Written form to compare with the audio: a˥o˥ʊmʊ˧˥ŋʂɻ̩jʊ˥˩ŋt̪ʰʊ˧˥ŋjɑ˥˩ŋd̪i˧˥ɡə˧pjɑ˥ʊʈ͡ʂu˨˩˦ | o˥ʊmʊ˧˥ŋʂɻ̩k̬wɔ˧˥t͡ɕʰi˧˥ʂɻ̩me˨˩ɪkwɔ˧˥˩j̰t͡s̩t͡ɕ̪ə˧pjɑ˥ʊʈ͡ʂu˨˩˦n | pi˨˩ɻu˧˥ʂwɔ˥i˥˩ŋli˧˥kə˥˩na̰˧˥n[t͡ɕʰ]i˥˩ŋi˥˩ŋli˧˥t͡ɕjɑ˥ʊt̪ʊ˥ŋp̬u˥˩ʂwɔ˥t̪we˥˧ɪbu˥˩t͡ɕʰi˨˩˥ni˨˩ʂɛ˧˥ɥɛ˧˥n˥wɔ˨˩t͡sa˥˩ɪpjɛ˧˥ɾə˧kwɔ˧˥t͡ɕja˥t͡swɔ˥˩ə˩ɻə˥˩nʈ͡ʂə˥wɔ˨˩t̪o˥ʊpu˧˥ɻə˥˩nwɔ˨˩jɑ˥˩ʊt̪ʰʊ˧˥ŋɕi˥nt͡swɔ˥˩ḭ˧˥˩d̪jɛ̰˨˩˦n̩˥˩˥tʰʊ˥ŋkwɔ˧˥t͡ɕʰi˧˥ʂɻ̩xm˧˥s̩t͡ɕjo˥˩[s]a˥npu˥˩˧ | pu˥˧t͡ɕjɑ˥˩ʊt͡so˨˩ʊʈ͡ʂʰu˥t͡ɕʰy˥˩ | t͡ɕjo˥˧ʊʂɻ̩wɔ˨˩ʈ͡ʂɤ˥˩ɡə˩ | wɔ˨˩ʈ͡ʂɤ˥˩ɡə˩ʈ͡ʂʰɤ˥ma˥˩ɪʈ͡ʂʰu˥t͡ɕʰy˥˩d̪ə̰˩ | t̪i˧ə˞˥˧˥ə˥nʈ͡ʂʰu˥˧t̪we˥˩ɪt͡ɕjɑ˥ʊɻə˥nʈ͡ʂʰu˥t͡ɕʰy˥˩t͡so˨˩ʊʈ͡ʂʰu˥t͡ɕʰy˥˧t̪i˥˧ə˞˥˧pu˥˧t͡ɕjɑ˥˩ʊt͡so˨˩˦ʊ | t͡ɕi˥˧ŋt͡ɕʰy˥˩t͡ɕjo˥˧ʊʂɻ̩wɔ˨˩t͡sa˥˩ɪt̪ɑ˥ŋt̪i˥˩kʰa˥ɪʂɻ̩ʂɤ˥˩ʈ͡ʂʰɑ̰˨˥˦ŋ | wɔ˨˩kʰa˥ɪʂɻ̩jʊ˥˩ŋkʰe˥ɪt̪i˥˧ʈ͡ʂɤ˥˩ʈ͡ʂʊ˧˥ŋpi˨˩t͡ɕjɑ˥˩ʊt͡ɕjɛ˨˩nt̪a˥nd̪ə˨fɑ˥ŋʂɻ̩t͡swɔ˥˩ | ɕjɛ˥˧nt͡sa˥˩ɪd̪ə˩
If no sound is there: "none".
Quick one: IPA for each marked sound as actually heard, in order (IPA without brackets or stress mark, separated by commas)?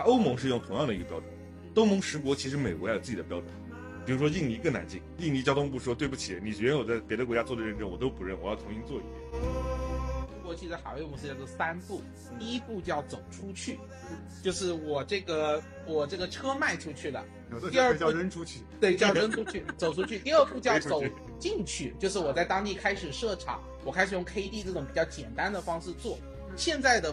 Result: t͡ɕ, s